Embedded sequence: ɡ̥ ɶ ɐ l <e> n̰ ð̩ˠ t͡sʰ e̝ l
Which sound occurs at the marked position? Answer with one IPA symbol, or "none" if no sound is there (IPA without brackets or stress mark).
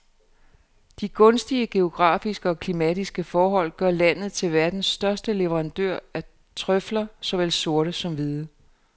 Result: æ